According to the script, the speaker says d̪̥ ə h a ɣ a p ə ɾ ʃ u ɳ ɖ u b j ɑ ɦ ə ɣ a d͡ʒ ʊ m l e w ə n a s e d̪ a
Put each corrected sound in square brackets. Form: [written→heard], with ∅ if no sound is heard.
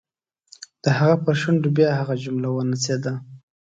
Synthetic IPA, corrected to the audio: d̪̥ ə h a ɣ a p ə ɾ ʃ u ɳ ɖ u b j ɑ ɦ [ə→a] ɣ a d͡ʒ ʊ m l [e→a] w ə n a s e d̪ a